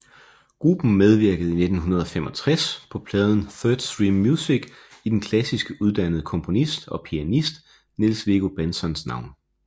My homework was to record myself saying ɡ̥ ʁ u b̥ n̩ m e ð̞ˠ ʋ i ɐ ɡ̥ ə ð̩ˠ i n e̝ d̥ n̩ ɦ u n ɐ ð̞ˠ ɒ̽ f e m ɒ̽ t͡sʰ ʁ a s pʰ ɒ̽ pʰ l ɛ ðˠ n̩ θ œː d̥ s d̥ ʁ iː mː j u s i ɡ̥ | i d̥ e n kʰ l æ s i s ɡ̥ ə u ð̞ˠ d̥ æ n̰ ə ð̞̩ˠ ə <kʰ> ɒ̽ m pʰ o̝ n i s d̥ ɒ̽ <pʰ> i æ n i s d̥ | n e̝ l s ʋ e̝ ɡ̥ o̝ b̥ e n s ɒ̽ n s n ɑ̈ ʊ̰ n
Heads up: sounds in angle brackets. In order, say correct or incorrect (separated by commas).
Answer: correct, correct